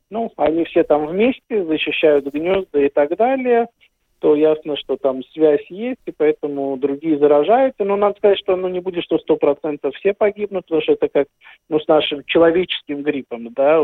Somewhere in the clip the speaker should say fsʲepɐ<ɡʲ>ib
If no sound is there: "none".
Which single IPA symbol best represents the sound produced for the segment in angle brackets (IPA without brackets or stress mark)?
ɡʲ